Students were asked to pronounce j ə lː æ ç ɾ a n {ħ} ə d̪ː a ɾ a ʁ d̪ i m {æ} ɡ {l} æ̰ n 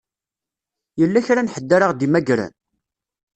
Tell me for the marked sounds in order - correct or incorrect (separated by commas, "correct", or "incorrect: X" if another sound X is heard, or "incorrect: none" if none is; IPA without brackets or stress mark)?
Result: correct, correct, incorrect: ɾ